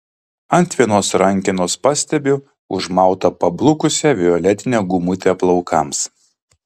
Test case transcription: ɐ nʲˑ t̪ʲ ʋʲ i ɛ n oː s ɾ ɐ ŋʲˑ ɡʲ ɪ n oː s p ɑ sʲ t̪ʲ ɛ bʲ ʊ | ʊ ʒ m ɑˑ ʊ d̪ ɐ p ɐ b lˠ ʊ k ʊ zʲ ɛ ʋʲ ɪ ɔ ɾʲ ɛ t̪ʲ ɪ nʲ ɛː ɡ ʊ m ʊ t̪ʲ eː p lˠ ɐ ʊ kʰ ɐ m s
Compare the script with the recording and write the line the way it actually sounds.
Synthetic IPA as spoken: ɐ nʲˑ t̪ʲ ʋʲ i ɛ n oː s ɾ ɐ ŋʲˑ kʲ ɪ n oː s p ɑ sʲ t̪ʲ ɛ bʲ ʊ | ʊ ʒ m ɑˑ ʊ t̪ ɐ p ɐ b lˠ ʊ k ʊ sʲ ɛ ʋʲ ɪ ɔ lʲ ɛ t̪ʲ ɪ nʲ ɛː ɡ ʊ m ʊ t̪ʲ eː p lˠ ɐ ʊ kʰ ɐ m s